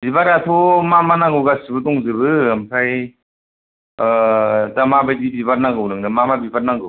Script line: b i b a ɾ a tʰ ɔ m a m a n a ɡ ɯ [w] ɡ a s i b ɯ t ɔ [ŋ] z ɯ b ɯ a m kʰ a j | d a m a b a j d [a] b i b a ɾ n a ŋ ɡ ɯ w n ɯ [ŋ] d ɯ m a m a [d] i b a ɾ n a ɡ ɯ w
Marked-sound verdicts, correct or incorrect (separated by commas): correct, correct, incorrect, correct, incorrect